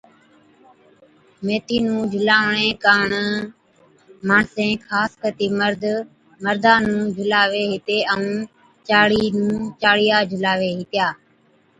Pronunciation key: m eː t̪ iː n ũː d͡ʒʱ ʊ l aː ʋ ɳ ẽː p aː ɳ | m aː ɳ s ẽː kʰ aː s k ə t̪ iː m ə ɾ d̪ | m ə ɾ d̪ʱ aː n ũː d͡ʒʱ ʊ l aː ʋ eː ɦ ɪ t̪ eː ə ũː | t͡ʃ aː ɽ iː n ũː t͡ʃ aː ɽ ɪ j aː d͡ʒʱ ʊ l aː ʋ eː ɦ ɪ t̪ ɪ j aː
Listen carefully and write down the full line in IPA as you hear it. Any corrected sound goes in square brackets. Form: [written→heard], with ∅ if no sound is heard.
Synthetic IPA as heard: m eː t̪ iː n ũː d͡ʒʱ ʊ l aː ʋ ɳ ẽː [p→k] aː ɳ | m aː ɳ s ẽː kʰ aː s k ə t̪ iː m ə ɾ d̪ | m ə ɾ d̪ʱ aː n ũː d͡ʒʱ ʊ l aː ʋ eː ɦ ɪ t̪ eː ə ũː | t͡ʃ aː ɽ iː n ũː t͡ʃ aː ɽ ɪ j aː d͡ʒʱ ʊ l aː ʋ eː ɦ ɪ t̪ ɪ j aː